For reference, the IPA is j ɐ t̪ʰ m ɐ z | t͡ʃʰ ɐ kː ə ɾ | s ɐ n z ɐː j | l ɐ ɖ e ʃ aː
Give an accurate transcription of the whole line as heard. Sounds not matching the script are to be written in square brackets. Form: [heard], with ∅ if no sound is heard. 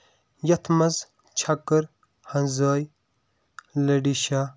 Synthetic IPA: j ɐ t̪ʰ m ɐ z | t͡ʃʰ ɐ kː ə ɾ | [h] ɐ n z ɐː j | l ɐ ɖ [i] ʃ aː